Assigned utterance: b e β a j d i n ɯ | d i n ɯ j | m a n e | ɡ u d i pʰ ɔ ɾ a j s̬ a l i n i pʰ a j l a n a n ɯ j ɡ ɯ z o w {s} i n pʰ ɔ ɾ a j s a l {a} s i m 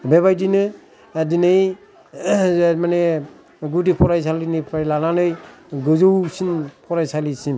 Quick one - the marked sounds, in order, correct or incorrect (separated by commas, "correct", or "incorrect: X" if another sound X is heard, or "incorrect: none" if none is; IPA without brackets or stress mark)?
correct, incorrect: i